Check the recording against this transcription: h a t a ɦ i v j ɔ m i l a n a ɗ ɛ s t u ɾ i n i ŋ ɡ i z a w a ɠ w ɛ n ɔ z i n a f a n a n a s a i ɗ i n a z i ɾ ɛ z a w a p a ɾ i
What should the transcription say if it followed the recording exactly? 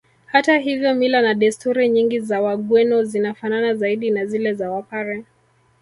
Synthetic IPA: h a t a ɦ i v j ɔ m i l a n a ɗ ɛ s t u ɾ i ɲ i ŋ ɡ i z a w a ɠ w ɛ n ɔ z i n a f a n a n a z a i ɗ i n a z i l ɛ z a w a p a ɾ ɛ